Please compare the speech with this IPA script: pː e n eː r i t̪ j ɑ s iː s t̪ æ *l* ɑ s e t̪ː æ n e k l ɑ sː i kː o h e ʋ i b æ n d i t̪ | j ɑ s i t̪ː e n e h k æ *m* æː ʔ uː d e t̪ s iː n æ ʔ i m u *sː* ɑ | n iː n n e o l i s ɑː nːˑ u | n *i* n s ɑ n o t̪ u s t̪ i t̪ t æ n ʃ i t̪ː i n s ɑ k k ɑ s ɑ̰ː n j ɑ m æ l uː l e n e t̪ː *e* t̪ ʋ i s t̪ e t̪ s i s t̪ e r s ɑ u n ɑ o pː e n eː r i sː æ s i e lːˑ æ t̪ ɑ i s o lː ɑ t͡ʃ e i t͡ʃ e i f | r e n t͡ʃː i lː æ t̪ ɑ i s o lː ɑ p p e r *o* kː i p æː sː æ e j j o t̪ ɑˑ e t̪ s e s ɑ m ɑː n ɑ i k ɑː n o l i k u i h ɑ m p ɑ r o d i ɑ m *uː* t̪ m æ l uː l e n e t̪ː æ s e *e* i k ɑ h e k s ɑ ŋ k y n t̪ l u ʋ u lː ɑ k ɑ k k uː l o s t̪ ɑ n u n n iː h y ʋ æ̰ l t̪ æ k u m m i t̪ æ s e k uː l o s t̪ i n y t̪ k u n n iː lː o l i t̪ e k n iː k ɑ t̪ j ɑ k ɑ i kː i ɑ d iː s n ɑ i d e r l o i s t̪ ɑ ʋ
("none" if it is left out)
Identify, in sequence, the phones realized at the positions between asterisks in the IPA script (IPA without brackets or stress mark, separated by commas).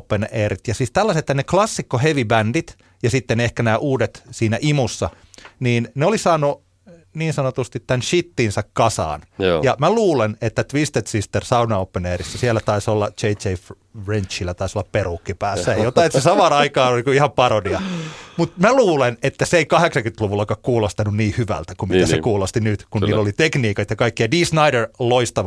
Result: lː, n, sː, iː, æ, u, u, e